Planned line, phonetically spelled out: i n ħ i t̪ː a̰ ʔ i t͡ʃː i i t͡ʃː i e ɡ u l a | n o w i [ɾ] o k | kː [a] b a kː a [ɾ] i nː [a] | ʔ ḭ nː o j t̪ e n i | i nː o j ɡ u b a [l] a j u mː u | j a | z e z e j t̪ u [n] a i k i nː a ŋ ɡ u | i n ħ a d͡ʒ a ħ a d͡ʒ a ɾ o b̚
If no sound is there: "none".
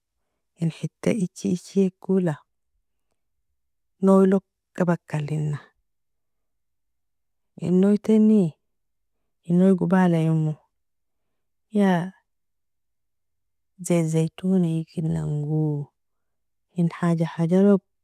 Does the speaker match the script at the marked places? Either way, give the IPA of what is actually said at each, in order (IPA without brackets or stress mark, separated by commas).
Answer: l, a, l, a, l, n